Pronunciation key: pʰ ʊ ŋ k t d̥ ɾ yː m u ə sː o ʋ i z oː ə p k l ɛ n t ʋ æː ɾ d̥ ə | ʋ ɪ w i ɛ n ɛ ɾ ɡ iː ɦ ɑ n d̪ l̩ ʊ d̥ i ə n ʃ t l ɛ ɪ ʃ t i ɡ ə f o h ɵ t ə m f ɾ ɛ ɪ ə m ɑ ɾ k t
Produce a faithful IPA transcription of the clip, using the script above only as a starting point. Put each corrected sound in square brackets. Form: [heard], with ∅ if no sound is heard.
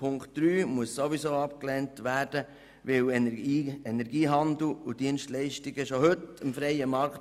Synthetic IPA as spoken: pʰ ʊ ŋ k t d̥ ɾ yː m u ə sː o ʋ i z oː [ɑ] p k l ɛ n t ʋ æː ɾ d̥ ə | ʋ ɪ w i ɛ n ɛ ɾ ɡ iː ɦ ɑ n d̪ l̩ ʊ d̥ i ə n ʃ t l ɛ ɪ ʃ t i ɡ ə [ʃ] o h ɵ t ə m f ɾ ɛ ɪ ə m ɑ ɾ k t